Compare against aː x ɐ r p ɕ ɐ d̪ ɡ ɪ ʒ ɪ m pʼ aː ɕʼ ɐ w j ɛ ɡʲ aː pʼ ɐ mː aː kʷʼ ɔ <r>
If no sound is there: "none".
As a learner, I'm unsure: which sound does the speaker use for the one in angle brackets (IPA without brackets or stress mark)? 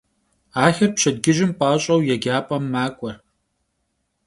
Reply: r